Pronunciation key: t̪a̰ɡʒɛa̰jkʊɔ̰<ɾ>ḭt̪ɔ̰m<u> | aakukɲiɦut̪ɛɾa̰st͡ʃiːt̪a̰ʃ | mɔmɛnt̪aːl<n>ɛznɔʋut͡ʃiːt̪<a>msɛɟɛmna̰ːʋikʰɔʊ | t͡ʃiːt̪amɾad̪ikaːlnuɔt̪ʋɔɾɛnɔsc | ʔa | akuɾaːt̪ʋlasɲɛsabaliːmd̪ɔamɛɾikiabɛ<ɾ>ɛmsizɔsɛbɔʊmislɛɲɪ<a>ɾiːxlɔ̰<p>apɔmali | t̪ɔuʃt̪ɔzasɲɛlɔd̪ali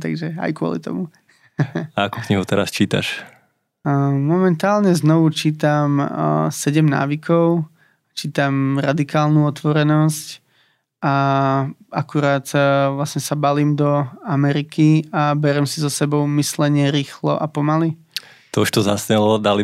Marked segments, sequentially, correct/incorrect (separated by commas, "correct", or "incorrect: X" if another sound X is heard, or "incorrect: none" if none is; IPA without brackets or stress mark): incorrect: l, correct, incorrect: ɲ, correct, correct, incorrect: ɛ, incorrect: ʔ